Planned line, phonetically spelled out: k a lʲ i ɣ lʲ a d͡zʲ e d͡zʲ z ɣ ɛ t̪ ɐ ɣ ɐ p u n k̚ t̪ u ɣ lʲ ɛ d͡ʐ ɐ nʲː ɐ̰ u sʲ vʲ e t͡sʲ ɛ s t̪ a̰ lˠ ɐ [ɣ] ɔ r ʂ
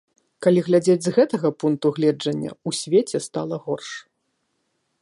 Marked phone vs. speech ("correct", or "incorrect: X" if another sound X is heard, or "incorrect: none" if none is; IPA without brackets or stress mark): correct